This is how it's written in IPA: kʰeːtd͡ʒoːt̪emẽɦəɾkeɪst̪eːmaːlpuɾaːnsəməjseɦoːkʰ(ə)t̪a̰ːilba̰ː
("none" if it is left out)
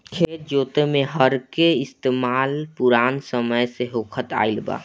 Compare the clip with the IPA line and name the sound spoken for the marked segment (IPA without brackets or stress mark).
ə